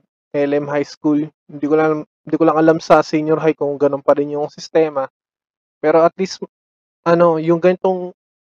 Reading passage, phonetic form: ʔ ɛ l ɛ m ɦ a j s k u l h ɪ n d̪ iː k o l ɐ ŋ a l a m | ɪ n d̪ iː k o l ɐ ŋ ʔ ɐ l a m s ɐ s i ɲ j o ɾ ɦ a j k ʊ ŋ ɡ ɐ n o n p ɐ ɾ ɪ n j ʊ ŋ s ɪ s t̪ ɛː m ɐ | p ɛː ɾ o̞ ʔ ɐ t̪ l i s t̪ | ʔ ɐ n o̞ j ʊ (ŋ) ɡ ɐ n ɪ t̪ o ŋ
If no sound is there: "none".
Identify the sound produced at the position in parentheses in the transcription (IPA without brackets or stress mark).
ŋ